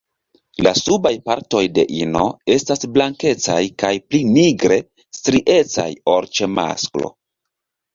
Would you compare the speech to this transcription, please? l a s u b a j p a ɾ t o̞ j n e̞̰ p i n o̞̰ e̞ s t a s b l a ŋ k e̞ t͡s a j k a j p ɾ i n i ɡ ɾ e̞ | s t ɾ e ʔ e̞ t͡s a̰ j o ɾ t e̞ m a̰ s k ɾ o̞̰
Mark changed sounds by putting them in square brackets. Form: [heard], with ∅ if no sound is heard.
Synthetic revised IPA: l a s u b a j p a ɾ t o̞ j [d] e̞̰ [ʔ] i n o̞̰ e̞ s t a s b l a ŋ k e̞ t͡s a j k a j p [l] i n i ɡ ɾ e̞ | s t ɾ [i] ʔ e̞ t͡s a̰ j o ɾ [t͡ʃ] e̞ m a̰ s k [l] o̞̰